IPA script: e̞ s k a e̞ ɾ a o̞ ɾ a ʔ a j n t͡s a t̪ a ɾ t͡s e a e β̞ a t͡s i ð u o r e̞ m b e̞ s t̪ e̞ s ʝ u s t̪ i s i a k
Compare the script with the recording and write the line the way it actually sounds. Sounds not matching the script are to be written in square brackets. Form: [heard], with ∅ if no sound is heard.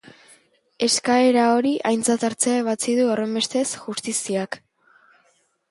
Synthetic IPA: e̞ s k a e̞ ɾ a o̞ ɾ [i] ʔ a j n t͡s a t̪ a ɾ t͡s e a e β̞ a t͡s i ð u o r e̞ m b e̞ s t̪ e̞ s ʝ u s t̪ i s i a k